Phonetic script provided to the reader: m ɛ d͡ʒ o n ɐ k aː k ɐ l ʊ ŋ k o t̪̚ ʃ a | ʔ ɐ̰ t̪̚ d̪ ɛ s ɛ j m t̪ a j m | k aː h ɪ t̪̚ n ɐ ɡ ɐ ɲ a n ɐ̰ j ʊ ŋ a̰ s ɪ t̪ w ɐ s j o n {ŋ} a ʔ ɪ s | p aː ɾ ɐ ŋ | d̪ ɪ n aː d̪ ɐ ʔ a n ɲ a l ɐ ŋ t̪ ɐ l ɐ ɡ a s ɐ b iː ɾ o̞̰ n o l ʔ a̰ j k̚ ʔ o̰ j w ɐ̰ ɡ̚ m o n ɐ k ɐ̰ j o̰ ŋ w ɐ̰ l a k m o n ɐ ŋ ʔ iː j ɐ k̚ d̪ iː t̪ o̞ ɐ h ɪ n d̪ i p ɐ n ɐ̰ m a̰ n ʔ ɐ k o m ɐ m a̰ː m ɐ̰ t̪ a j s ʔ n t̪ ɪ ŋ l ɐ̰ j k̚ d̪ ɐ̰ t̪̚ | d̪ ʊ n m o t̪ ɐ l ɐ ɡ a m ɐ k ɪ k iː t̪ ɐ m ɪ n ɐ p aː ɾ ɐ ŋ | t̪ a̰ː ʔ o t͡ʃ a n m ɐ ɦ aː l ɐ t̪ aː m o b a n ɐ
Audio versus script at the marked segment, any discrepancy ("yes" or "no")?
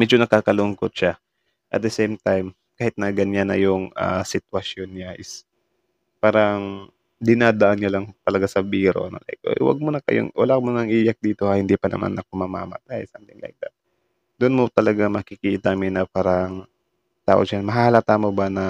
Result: yes